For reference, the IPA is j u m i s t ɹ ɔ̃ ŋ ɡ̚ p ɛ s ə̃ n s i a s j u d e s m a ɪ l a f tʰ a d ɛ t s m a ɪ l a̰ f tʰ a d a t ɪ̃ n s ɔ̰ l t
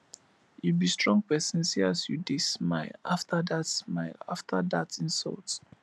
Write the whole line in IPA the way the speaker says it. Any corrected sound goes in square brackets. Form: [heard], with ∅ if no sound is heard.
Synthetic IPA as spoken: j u [b] i s t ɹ ɔ̃ ŋ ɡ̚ p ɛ s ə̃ n s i a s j u d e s m a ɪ l a f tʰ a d [a] t s m a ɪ l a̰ f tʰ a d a t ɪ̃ n s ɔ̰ l t